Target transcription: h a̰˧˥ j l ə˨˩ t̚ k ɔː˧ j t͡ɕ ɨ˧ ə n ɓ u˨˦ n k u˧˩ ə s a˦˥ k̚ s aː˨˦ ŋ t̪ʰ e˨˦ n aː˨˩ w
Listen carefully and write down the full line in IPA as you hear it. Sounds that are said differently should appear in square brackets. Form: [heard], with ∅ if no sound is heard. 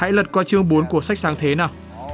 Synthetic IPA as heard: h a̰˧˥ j l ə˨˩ t̚ k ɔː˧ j t͡ɕ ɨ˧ ə [ŋ] ɓ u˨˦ n k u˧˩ ə s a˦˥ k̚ s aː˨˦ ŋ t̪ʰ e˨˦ n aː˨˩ w